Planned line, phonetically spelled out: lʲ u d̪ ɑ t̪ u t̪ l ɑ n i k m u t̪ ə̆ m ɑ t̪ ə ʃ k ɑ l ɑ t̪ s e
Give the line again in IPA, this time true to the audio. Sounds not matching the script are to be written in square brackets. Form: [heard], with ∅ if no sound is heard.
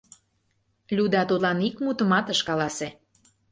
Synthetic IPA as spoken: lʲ u d̪ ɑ t̪ u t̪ l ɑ n i k m u t̪ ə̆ m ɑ t̪ ə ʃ k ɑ l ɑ [∅] s e